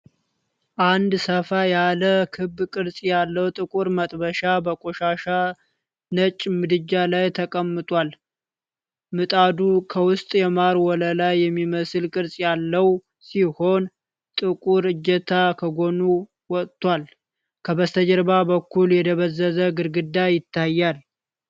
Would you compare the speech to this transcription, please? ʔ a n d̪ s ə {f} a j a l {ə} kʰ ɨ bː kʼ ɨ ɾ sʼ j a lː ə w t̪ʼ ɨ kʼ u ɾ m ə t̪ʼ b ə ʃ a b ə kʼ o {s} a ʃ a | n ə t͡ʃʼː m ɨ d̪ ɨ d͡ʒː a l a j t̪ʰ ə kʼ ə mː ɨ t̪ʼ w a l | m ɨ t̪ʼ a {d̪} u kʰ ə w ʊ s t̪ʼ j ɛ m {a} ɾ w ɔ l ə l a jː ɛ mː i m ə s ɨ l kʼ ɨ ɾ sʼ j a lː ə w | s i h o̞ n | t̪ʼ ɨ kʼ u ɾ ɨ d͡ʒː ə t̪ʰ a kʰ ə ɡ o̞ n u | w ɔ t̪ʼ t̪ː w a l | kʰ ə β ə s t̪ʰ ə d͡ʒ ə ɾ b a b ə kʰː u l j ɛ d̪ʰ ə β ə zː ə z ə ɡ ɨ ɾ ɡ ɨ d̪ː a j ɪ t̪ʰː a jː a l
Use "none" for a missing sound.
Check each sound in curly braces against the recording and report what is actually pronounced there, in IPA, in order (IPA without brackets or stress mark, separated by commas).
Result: f, ə, ʃ, d̪, a